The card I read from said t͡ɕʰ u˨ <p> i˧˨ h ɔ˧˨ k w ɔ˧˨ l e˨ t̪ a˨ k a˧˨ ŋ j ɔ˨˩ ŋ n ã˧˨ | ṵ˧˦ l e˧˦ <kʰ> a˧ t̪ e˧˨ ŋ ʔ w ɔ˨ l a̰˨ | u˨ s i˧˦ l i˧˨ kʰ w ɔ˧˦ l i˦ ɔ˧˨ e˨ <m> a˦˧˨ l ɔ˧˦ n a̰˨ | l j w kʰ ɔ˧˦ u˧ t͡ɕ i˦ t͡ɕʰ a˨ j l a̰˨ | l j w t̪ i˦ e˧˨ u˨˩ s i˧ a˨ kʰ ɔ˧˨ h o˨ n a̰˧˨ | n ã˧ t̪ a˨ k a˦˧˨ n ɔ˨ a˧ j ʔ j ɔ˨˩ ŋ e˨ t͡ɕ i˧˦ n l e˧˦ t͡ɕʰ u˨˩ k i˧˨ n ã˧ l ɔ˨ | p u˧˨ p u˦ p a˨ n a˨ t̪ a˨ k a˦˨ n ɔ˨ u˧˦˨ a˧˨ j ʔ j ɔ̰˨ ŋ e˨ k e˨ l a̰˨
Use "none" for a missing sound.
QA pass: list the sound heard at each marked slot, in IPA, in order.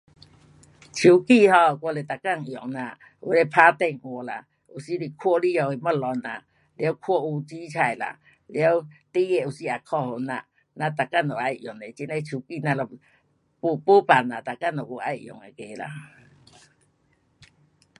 k, pʰ, m

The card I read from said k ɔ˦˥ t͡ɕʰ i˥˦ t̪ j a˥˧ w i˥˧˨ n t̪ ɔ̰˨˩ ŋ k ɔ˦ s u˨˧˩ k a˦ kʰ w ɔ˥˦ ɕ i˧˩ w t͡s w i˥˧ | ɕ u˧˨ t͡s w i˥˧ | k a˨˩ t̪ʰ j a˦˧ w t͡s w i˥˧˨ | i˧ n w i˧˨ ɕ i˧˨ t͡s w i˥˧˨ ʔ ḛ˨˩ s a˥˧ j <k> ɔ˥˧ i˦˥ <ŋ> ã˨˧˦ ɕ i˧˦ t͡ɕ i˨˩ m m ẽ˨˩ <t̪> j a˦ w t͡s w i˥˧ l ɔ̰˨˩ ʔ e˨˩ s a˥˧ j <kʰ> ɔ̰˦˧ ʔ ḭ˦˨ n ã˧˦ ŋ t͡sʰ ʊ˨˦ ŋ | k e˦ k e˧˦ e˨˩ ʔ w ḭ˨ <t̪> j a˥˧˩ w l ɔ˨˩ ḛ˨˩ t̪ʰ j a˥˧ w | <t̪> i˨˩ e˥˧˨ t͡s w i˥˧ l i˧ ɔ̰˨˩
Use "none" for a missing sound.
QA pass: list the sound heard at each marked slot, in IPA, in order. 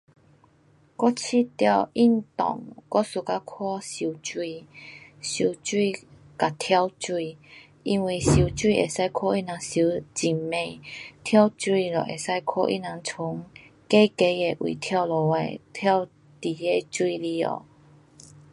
kʰ, n, t̪ʰ, kʰ, t̪ʰ, t̪

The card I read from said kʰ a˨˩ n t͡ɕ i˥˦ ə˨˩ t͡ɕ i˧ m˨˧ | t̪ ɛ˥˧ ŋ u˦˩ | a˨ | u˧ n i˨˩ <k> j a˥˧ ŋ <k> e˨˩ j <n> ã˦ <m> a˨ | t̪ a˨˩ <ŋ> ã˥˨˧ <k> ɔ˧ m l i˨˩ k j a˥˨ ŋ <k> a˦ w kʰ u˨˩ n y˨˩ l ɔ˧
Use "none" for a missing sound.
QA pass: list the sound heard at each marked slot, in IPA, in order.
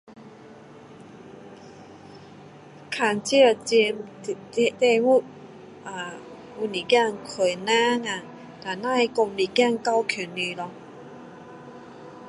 k, kʰ, n, ŋ, n, k, k

